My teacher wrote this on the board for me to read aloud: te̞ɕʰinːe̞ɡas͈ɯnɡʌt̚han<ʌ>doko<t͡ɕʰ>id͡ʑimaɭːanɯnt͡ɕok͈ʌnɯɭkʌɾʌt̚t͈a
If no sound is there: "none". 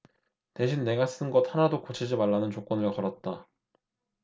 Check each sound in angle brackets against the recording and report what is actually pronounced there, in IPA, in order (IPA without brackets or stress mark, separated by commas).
a, t͡ɕʰ